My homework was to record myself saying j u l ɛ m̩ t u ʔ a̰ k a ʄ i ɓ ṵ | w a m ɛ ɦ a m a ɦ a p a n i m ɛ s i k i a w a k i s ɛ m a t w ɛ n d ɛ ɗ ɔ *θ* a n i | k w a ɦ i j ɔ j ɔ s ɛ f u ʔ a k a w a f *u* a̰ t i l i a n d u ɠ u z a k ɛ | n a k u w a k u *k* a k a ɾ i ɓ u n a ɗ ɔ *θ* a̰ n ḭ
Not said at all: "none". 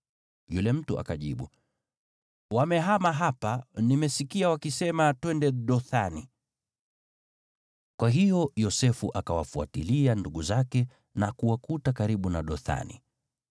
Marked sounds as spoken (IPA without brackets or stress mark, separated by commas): θ, u, t, θ